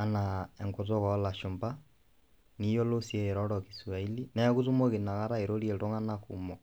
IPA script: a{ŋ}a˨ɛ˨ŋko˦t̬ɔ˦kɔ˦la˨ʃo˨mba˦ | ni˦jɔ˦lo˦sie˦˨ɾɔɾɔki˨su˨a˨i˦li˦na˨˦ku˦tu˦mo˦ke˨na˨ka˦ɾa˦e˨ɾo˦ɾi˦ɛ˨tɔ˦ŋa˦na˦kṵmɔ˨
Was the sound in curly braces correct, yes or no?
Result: no